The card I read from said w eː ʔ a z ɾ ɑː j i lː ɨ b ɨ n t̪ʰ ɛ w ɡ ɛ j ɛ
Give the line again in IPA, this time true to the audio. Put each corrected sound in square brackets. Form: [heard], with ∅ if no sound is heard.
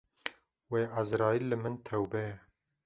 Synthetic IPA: w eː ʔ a z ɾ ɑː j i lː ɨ [m] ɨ n t̪ʰ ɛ w [b] ɛ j ɛ